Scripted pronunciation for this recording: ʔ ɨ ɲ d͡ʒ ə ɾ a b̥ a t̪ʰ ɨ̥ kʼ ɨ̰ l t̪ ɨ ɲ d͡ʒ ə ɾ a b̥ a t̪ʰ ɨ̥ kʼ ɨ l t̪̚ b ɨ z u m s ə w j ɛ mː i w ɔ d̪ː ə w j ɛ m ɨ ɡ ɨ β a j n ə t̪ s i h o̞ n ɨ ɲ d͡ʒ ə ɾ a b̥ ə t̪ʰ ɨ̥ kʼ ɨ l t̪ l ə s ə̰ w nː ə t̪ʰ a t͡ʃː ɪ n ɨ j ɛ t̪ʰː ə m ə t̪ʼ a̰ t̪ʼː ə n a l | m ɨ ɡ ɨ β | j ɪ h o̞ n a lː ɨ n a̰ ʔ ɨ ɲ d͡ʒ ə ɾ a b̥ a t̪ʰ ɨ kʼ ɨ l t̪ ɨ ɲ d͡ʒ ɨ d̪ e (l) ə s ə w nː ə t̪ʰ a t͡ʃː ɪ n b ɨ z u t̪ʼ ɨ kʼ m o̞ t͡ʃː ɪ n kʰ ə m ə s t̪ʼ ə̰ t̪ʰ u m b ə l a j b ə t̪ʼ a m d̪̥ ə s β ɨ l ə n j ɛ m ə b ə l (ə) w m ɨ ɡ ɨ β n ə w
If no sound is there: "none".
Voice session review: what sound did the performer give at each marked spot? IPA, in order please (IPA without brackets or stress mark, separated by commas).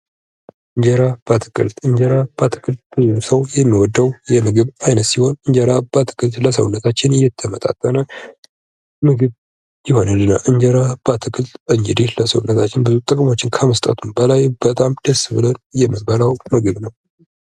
l, a